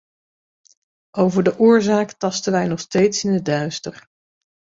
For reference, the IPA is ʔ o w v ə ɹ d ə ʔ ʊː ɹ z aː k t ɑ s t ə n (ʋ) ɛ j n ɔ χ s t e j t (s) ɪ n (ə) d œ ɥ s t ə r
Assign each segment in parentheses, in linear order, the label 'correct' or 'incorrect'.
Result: correct, correct, correct

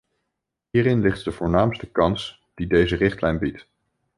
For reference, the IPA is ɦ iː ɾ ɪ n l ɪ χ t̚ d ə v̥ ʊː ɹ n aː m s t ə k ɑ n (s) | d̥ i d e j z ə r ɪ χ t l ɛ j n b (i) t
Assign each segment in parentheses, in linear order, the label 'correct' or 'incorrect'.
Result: correct, correct

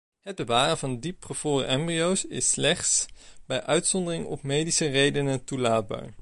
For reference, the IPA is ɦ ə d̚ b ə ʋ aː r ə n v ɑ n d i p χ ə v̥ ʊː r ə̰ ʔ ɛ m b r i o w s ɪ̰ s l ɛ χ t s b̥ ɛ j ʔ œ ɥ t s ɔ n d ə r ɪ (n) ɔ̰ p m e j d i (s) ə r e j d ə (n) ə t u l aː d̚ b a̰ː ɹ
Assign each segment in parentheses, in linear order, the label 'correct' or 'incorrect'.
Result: incorrect, correct, correct

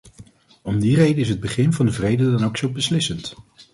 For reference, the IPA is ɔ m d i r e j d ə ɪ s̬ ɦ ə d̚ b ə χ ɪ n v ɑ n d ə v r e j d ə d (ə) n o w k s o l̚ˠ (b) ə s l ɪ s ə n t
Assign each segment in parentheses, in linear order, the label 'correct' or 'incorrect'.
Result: incorrect, correct

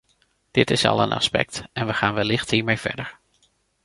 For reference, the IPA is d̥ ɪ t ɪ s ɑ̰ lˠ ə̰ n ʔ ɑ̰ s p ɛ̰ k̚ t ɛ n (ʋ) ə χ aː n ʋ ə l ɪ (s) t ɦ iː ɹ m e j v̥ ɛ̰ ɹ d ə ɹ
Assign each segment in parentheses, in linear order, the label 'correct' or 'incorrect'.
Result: correct, incorrect

